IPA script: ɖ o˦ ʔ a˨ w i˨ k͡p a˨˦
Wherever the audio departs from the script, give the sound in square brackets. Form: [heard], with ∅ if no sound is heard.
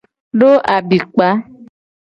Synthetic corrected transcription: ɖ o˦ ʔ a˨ [b] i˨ k͡p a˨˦